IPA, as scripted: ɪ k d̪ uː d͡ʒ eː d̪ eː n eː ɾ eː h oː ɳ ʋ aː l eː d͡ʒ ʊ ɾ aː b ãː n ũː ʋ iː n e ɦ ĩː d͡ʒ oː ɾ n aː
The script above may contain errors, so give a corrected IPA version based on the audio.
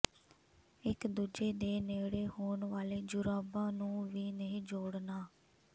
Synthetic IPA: ɪ k d̪ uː d͡ʒ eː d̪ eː n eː ɽ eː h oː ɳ ʋ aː l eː d͡ʒ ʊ ɾ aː b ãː n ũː ʋ iː n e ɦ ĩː d͡ʒ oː ɽ n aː

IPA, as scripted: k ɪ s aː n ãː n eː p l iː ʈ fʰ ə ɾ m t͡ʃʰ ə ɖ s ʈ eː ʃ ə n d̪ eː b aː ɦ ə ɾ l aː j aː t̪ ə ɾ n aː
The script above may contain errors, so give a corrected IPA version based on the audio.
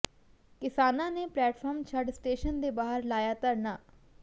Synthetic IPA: k ɪ s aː n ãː n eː p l ɛː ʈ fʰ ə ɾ m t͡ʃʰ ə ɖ s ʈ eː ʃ ə n d̪ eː b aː ɦ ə ɾ l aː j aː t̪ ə ɾ n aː

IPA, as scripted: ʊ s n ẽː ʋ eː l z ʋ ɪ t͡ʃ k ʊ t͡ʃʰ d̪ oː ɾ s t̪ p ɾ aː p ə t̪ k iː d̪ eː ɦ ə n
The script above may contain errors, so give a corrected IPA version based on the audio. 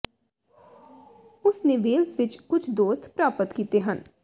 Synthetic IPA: ʊ s n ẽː ʋ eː l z ʋ ɪ t͡ʃ k ʊ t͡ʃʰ d̪ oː s t̪ p ɾ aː p ə t̪ k iː t̪ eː ɦ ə n

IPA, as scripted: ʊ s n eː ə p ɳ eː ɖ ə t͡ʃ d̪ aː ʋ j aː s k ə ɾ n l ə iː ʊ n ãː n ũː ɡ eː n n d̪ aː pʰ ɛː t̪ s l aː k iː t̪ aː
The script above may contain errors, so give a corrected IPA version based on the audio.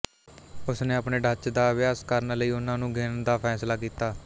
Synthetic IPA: ʊ s n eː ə p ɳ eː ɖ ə t͡ʃ d̪ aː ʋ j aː s k ə ɾ n l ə iː ʊ n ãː n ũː ɡ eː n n d̪ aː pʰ ɛː s l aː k iː t̪ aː

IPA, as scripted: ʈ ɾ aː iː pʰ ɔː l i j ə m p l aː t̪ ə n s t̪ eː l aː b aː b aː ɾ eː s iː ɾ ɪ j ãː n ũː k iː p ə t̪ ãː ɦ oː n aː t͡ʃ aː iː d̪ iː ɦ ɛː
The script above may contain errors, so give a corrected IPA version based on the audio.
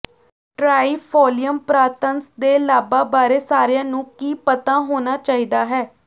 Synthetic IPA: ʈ ɾ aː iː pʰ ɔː l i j ə m p ɾ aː t̪ ə n s d̪ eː l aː b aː b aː ɾ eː s aː ɾ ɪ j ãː n ũː k iː p ə t̪ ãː ɦ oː n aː t͡ʃ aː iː d̪ aː ɦ ɛː

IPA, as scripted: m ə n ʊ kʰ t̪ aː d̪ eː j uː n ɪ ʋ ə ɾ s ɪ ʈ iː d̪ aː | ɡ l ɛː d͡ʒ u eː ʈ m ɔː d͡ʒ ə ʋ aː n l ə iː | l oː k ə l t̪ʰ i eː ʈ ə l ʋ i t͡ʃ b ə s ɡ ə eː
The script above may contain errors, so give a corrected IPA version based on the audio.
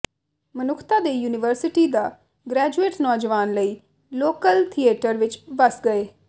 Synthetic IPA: m ə n ʊ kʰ t̪ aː d̪ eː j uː n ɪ ʋ ə ɾ s ɪ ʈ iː d̪ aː | ɡ ɾ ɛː d͡ʒ u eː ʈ n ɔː d͡ʒ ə ʋ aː n l ə iː | l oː k ə l t̪ʰ i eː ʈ ə ɾ ʋ ɪ t͡ʃ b ə s ɡ ə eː

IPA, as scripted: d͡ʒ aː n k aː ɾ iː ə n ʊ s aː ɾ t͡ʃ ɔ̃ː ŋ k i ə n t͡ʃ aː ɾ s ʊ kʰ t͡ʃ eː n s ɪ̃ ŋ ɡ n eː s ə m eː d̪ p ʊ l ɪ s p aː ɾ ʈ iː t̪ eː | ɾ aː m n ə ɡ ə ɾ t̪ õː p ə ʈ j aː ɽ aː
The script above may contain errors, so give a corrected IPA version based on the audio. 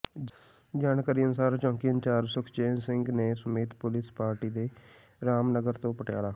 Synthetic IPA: d͡ʒ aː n k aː ɾ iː ə n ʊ s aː ɾ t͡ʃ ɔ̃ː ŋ k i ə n t͡ʃ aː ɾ s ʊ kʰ t͡ʃ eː n s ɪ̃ ŋ ɡ n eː s ə m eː t̪ p ʊ l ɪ s p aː ɾ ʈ iː d̪ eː | ɾ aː m n ə ɡ ə ɾ t̪ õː p ə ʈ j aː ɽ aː

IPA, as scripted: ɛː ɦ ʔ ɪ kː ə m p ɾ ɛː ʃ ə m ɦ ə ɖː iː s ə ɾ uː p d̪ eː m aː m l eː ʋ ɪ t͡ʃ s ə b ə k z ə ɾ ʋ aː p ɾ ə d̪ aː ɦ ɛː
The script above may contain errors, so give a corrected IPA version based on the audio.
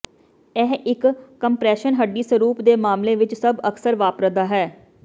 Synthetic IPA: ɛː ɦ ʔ ɪ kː ə m p ɾ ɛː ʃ ə n ɦ ə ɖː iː s ə ɾ uː p d̪ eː m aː m l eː ʋ ɪ t͡ʃ s ə b ə k s ə ɾ ʋ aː p ɾ ə d̪ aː ɦ ɛː

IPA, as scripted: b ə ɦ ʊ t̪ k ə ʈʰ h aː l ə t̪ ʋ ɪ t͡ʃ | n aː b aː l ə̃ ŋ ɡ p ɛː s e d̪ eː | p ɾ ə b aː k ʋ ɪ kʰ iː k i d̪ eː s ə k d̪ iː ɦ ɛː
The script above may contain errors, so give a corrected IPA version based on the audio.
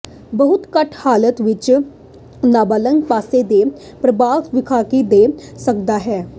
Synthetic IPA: b ə ɦ ʊ t̪ k ə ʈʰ h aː l ə t̪ ʋ ɪ t͡ʃ | n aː b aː l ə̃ ŋ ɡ p aː s e d̪ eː | p ɾ ə b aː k ʋ ɪ kʰ aː k i d̪ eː s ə k d̪ aː ɦ ɛː

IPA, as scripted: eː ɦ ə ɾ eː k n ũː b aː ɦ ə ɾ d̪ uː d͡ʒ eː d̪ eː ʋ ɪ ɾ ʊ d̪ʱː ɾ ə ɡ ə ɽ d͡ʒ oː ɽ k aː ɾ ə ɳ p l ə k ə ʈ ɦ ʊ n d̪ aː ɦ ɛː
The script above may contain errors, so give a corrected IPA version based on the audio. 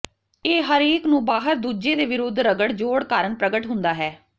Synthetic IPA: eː ɦ ə ɾ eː k n ũː b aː ɦ ə ɾ d̪ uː d͡ʒ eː d̪ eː ʋ ɪ ɾ ʊ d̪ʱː ɾ ə ɡ ə ɽ d͡ʒ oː ɽ k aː ɾ ə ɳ p ɾ ə ɡ ə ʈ ɦ ʊ n d̪ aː ɦ ɛː

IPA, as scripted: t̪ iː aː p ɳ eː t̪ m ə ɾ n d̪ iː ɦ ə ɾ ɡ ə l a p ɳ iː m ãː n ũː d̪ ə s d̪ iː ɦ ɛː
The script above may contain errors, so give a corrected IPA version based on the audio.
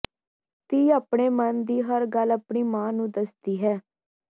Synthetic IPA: t̪ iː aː p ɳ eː m ə n d̪ iː ɦ ə ɾ ɡ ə l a p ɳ iː m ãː n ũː d̪ ə s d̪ iː ɦ ɛː

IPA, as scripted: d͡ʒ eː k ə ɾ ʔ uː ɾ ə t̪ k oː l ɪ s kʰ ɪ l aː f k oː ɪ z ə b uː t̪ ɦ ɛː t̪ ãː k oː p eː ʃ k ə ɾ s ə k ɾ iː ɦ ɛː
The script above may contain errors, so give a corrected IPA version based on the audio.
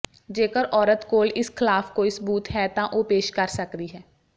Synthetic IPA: d͡ʒ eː k ə ɾ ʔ ɔː ɾ ə t̪ k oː l ɪ s kʰ ɪ l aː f k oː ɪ s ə b uː t̪ ɦ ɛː t̪ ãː ʔ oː p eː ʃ k ə ɾ s ə k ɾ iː ɦ ɛː

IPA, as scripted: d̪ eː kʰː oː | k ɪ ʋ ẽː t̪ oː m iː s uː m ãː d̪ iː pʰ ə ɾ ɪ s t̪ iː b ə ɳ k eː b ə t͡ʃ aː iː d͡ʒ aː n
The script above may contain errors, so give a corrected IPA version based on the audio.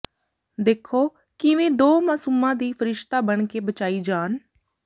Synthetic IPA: d̪ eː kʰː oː | k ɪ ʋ ẽː d̪ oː m aː s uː m ãː d̪ iː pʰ ə ɾ ɪ ʃ t̪ aː b ə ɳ k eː b ə t͡ʃ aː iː d͡ʒ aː n

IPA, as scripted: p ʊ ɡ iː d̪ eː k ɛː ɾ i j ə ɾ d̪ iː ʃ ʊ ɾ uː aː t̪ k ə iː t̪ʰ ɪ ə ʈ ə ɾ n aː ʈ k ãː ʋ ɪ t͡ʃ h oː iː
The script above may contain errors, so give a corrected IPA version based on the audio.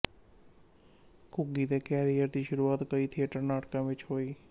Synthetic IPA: k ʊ ɡ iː d̪ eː k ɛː ɾ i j ə ɾ d̪ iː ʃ ʊ ɾ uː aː t̪ k ə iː t̪ʰ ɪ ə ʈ ə ɾ n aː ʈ k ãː ʋ ɪ t͡ʃ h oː iː

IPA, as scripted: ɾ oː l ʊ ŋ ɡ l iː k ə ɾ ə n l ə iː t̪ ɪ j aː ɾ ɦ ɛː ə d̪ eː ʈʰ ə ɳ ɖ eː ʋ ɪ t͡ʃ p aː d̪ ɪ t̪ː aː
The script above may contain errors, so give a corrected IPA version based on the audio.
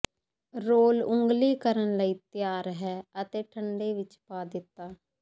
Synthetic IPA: ɾ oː l ʊ ŋ ɡ l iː k ə ɾ ə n l ə iː t̪ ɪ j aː ɾ ɦ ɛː ə t̪ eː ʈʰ ə ɳ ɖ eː ʋ ɪ t͡ʃ p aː d̪ ɪ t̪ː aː

